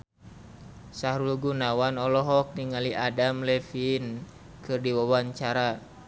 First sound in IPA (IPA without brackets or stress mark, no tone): s